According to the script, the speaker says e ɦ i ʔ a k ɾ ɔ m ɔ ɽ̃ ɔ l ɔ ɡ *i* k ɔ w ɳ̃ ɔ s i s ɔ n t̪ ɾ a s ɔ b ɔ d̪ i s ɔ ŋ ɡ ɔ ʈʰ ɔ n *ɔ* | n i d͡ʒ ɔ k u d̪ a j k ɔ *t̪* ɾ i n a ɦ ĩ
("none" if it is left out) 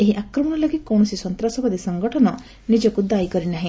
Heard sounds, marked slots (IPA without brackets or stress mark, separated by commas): i, ɔ, none